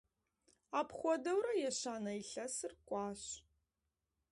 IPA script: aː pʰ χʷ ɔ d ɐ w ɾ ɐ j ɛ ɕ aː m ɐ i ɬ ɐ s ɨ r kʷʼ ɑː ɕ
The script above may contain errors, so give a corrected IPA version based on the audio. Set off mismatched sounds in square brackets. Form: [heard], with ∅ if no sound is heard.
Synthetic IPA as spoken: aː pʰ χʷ ɔ d ɐ w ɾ ɐ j ɛ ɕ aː [n] ɐ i ɬ ɐ s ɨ r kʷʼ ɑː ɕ